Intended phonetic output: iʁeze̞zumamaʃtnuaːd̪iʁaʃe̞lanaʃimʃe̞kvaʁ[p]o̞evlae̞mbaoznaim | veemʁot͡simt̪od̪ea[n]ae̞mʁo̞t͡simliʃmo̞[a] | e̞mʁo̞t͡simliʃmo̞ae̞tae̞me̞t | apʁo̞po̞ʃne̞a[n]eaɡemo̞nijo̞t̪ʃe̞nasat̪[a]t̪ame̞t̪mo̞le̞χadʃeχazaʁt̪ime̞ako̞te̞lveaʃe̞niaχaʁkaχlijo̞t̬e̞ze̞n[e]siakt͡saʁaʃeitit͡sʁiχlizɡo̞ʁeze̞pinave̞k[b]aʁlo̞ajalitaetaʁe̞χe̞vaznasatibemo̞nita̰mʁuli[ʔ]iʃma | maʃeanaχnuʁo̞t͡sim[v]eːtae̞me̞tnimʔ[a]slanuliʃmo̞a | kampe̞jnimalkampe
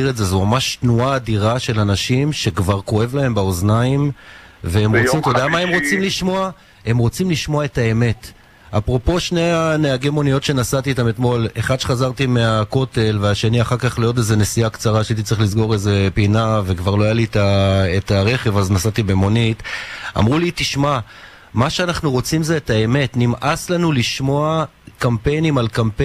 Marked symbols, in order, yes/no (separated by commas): no, no, yes, yes, no, yes, no, no, no, yes